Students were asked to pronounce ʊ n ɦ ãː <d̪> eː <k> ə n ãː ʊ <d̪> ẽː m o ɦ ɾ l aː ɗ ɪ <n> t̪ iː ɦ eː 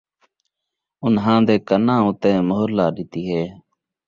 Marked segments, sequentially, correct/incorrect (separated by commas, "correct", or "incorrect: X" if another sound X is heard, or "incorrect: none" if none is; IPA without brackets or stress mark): correct, correct, incorrect: t̪, incorrect: none